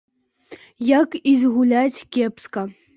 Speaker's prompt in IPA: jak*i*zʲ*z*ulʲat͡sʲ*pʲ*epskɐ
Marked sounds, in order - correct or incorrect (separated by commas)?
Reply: correct, incorrect, incorrect